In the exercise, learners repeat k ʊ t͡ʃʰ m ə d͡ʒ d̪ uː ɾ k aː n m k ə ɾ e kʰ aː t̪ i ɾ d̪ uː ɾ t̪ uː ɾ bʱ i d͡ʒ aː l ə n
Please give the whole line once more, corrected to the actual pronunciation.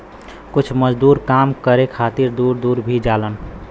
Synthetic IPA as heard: k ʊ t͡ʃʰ m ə d͡ʒ d̪ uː ɾ k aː m k ə ɾ e kʰ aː t̪ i ɾ d̪ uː ɾ d̪ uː ɾ bʱ i d͡ʒ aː l ə n